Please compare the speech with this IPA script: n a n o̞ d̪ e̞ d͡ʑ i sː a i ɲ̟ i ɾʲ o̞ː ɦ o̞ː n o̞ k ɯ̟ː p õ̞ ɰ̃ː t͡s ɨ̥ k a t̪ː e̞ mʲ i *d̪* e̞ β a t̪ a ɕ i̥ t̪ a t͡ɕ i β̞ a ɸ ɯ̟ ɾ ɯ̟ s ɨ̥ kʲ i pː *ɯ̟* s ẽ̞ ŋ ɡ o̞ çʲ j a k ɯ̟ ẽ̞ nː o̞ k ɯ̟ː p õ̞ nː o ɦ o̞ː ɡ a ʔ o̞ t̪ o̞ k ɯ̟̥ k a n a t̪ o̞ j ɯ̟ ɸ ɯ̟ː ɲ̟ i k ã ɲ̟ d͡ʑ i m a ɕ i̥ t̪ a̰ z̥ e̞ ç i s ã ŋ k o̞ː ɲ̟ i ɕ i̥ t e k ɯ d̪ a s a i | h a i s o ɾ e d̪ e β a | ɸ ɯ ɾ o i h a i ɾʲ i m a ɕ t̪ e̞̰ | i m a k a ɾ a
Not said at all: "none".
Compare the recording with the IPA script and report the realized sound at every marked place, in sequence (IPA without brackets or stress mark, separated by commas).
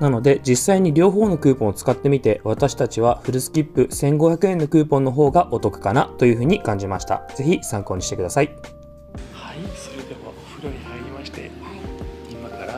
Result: t̪, ɯ̟